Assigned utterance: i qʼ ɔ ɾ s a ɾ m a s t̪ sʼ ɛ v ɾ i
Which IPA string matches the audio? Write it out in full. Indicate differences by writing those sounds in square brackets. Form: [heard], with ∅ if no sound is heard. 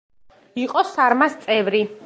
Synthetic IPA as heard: i qʼ ɔ [∅] s a ɾ m a s t̪ sʼ ɛ v ɾ i